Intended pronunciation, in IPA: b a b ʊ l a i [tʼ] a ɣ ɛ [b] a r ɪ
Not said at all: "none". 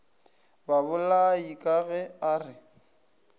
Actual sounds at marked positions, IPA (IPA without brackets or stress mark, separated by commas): kʼ, none